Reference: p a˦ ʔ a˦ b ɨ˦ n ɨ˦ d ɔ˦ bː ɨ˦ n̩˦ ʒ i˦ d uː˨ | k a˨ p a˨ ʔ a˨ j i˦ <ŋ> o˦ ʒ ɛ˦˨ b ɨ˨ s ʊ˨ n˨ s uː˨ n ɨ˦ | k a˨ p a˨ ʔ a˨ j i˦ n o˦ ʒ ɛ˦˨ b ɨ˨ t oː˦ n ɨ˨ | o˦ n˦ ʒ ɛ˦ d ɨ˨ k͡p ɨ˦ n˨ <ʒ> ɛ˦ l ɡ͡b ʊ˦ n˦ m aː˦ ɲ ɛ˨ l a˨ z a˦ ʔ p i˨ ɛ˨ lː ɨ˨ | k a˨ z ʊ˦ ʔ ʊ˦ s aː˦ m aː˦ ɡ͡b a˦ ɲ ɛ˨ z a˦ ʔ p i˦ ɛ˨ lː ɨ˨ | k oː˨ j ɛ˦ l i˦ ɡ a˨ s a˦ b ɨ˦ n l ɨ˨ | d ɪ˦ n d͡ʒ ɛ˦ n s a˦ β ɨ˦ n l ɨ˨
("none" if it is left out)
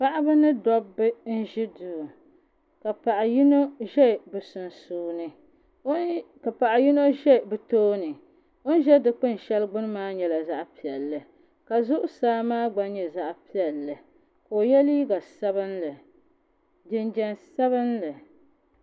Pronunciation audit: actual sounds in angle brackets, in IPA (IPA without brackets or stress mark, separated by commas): n, ʃ